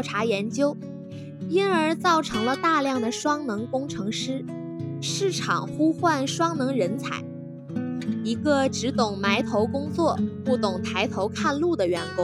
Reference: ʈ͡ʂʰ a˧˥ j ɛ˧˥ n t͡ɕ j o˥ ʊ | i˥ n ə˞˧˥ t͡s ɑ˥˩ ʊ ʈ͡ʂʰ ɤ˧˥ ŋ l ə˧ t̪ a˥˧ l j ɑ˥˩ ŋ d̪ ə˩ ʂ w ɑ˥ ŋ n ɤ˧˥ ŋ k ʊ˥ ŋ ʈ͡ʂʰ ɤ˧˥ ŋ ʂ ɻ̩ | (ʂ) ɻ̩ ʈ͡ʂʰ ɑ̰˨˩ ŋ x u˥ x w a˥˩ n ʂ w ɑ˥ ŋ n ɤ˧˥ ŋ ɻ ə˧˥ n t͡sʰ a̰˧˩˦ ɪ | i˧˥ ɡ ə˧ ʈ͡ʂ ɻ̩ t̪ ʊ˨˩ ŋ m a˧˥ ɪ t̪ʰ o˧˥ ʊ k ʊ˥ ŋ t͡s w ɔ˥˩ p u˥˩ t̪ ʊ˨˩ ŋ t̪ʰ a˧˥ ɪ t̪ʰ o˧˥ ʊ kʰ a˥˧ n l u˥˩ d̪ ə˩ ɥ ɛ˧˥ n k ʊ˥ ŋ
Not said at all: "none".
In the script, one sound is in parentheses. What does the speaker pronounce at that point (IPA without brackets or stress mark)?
ʂ